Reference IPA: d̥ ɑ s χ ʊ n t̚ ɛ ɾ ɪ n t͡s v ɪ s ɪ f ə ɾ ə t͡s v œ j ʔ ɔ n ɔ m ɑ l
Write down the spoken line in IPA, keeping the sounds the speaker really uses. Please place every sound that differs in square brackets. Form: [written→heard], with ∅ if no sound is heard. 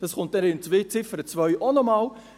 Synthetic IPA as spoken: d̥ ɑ s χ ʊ n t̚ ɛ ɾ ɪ n t͡s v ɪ [s→t͡s] ɪ f ə ɾ ə t͡s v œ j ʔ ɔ n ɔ m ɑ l